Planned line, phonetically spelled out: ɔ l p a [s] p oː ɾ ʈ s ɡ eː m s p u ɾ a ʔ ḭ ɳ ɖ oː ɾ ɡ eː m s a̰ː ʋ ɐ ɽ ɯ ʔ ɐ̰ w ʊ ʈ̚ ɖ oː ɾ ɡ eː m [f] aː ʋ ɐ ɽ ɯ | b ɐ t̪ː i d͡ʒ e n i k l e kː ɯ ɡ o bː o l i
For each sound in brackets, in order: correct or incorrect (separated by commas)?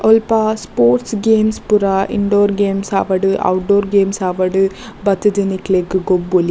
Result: correct, incorrect